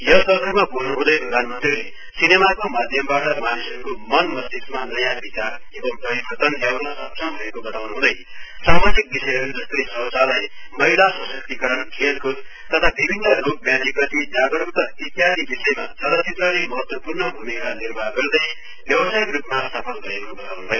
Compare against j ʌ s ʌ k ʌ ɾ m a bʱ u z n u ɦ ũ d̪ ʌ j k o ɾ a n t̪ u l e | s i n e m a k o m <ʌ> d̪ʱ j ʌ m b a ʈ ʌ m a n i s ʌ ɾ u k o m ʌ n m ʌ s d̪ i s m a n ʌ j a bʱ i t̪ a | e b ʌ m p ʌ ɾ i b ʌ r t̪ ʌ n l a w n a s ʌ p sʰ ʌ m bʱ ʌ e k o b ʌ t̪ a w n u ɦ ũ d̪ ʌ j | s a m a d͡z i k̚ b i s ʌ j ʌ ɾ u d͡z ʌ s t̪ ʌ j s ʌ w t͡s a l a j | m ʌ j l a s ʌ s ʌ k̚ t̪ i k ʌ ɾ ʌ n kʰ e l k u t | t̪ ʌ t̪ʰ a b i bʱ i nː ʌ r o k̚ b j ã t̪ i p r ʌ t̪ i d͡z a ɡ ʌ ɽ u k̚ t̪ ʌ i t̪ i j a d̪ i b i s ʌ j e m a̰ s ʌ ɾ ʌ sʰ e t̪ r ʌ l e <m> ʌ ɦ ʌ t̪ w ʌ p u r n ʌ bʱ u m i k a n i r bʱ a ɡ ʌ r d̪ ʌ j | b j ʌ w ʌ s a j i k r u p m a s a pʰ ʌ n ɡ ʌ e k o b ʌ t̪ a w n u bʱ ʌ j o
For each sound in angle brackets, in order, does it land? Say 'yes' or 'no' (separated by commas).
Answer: no, yes